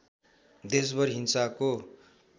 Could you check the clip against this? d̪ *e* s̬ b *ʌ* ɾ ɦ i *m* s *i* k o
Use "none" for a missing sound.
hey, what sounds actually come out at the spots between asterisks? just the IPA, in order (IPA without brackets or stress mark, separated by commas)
e, ʌ, n, a